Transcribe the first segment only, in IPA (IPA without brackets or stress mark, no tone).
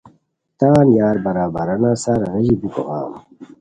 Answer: t̪